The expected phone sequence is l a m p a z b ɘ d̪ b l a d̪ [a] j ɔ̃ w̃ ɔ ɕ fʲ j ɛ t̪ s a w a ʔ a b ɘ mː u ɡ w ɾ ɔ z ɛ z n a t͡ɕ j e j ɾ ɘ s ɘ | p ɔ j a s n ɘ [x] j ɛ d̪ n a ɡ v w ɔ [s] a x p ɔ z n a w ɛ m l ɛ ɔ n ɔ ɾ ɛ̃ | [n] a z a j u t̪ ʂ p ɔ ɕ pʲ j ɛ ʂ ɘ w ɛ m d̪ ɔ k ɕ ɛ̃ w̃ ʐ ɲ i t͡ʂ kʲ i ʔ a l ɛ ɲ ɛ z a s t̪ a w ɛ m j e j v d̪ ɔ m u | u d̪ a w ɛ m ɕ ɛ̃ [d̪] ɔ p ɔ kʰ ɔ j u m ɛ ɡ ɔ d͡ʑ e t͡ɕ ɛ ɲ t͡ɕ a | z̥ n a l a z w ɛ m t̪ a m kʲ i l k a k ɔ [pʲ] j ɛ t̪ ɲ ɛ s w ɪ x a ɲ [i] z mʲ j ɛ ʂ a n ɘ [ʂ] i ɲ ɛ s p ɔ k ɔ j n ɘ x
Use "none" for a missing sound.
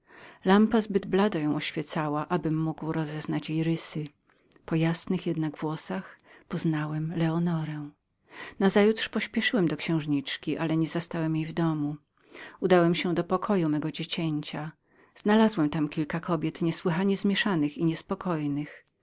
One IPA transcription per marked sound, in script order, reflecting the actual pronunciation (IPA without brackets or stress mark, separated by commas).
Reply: a, x, s, n, d̪, bʲ, ɛ, x